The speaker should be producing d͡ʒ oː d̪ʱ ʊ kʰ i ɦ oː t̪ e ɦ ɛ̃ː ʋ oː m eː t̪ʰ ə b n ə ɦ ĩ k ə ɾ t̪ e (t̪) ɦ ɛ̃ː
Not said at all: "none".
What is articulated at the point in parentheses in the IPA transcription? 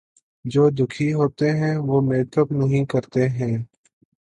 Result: none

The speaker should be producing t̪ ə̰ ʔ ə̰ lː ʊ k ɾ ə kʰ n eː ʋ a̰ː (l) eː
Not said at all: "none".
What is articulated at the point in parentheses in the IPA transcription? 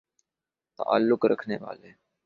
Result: l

